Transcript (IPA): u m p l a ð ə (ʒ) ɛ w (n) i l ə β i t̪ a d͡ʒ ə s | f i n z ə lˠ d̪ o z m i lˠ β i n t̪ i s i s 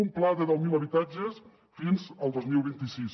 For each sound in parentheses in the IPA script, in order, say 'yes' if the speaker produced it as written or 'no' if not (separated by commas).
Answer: no, no